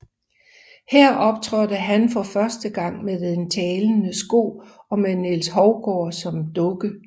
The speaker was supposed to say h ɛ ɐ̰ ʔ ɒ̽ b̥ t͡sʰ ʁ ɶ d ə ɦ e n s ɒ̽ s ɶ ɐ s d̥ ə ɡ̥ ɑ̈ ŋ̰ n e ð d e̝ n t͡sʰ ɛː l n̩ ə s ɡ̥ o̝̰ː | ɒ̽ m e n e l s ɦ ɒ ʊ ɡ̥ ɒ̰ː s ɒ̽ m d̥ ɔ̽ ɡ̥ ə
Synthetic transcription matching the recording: h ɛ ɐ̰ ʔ ɒ̽ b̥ t͡sʰ ʁ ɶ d ə ɦ æ n f ɒ̽ f ɶ ɐ s d̥ ə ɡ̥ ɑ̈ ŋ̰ m e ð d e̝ n t͡sʰ ɛː l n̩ ə s ɡ̥ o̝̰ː | ɒ̽ m e n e l s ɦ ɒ ʊ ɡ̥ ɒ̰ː s ɒ̽ m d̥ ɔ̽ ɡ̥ ə